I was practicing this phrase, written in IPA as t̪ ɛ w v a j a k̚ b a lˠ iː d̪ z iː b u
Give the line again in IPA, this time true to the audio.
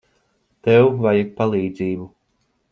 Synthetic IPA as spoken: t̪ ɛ w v a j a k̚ p a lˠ iː d̪ z iː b u